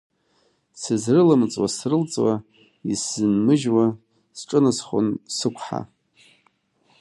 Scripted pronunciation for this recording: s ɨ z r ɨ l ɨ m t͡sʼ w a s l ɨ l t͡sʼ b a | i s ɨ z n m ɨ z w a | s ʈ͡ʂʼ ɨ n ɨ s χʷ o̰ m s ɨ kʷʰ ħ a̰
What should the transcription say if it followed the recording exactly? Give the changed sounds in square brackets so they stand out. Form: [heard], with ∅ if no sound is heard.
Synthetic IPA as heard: s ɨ z r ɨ l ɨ m t͡sʼ w a s [r] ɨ l t͡sʼ [w] a | i s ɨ [∅] n m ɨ [ʒ] w a | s ʈ͡ʂʼ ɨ n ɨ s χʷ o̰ [n] s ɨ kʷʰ ħ a̰